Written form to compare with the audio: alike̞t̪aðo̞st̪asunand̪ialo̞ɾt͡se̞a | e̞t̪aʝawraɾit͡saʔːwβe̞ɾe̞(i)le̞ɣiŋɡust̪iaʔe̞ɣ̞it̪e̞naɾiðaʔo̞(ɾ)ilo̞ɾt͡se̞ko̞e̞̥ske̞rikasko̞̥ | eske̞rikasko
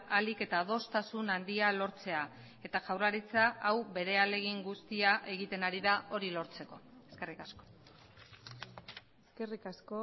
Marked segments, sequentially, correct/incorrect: incorrect, correct

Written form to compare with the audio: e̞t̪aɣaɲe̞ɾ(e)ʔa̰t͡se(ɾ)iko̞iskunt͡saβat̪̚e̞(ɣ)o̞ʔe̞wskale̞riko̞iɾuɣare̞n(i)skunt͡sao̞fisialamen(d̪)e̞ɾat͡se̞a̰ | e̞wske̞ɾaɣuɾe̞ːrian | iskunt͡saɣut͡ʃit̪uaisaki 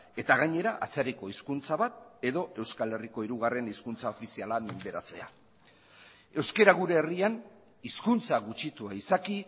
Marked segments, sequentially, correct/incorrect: incorrect, correct, incorrect, correct, correct

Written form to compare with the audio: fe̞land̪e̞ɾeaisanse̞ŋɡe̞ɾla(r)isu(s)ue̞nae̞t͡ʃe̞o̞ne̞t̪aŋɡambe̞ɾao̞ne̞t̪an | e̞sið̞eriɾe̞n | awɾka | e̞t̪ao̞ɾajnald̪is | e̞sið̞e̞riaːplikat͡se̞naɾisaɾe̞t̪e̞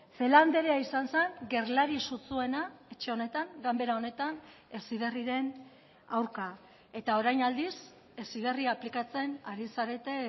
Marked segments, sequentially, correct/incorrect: incorrect, incorrect

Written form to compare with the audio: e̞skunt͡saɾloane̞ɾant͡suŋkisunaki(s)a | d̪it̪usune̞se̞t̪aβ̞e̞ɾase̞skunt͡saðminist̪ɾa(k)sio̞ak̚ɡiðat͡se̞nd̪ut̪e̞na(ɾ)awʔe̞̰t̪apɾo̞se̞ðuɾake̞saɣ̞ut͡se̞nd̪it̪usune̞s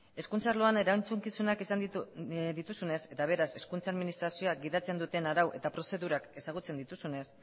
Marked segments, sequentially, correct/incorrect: correct, incorrect, correct

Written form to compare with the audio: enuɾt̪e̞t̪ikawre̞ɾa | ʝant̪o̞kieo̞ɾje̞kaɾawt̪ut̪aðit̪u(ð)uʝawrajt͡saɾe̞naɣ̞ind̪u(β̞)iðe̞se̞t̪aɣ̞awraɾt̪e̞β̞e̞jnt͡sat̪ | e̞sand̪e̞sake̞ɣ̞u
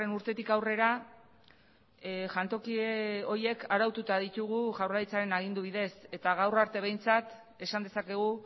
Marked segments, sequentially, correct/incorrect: incorrect, correct

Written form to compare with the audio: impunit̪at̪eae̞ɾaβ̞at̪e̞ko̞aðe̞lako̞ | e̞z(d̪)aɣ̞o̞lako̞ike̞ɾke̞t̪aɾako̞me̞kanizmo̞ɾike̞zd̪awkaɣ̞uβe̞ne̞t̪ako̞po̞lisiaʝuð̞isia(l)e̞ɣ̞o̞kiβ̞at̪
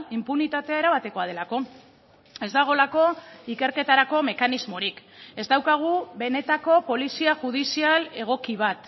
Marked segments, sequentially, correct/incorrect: correct, correct

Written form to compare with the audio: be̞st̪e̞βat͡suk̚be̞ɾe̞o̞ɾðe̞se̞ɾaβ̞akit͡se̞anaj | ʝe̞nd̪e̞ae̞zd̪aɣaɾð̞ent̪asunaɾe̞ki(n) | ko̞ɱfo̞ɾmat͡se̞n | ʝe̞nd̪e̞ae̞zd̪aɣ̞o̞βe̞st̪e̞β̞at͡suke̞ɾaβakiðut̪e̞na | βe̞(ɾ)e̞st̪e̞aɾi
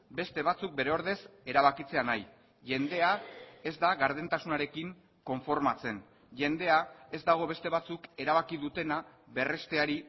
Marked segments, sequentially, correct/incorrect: incorrect, incorrect

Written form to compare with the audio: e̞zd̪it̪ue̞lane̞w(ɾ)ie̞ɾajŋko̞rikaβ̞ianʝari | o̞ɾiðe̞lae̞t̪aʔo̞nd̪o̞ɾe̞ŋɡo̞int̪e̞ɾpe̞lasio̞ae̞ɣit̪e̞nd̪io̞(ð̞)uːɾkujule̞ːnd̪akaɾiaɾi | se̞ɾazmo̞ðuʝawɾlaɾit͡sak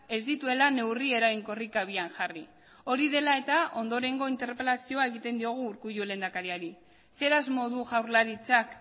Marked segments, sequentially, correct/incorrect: incorrect, incorrect

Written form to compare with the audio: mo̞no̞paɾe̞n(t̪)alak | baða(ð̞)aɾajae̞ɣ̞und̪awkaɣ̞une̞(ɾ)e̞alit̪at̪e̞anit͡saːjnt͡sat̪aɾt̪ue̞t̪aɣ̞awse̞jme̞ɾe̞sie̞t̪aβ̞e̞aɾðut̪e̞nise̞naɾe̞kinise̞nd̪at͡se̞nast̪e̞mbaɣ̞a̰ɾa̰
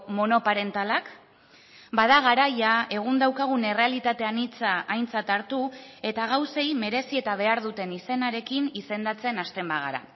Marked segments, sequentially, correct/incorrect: correct, incorrect, incorrect

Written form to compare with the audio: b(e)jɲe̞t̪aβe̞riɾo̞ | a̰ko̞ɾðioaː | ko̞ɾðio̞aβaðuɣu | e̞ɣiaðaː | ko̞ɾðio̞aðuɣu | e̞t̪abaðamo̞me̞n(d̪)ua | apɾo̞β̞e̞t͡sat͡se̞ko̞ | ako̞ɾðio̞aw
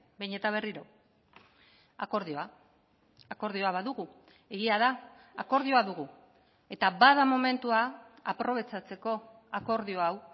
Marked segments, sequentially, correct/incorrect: correct, incorrect

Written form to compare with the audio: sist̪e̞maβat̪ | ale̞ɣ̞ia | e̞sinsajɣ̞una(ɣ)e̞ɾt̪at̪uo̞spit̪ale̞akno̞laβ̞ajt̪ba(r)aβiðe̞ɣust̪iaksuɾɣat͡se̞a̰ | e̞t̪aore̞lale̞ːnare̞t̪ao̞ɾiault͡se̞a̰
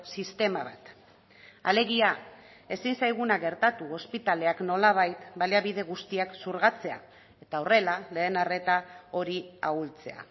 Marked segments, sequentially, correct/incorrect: correct, incorrect

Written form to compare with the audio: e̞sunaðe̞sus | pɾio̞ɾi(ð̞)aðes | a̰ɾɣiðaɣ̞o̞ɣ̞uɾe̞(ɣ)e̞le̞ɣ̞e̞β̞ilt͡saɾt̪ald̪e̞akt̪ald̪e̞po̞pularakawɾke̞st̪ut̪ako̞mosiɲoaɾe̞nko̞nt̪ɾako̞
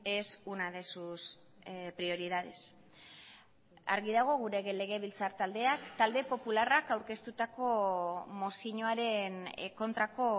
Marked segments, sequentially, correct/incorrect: correct, correct

